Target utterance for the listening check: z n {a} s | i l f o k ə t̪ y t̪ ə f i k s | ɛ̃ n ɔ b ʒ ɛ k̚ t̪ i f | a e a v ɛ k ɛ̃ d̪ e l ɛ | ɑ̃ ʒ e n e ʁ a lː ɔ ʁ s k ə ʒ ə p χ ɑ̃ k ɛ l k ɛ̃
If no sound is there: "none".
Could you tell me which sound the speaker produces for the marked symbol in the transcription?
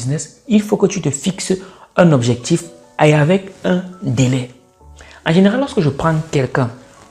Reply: ɛ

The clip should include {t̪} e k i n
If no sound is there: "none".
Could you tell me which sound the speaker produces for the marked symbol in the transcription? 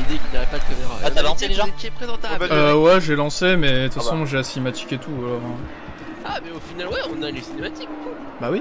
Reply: d̪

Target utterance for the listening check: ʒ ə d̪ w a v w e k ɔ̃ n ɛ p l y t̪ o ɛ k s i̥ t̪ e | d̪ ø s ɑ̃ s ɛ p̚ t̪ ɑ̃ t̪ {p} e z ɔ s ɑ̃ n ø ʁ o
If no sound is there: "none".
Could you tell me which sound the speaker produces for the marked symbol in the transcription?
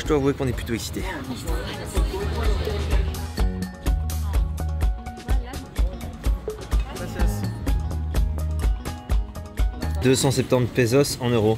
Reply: p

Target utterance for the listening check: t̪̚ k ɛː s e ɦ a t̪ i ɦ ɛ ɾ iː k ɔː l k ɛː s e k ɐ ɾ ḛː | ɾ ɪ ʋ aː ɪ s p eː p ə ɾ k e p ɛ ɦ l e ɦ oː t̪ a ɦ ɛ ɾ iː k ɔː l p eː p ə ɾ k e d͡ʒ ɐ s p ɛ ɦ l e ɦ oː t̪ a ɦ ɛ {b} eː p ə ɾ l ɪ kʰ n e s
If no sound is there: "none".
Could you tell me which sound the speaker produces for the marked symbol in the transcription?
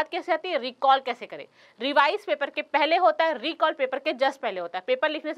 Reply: p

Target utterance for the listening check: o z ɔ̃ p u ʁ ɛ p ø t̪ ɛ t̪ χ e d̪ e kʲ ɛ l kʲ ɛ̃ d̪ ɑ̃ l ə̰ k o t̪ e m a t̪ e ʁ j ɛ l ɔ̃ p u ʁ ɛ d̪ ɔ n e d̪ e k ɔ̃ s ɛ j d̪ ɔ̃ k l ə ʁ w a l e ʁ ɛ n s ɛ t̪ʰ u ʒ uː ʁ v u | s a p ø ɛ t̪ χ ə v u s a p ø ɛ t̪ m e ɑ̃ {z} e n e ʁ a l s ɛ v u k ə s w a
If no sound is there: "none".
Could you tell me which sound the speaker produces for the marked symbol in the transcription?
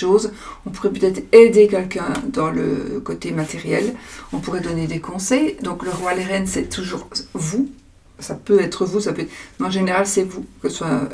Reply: ʒ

